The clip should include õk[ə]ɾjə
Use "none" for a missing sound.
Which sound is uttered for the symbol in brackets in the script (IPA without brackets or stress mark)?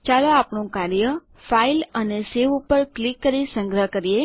a